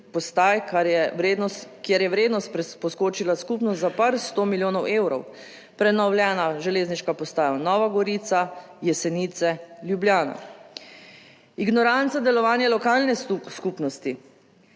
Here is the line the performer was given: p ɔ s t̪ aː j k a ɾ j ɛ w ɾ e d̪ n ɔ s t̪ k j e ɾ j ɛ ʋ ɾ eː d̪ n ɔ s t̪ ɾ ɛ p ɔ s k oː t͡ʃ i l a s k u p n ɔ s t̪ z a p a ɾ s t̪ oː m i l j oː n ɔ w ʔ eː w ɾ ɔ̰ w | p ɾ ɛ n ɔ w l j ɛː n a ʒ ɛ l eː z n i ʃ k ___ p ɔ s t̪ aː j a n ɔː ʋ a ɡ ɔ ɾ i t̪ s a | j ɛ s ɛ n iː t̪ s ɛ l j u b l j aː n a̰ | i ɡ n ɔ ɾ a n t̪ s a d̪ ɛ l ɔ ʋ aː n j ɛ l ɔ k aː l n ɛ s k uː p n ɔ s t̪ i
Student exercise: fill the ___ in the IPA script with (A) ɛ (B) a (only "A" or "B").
B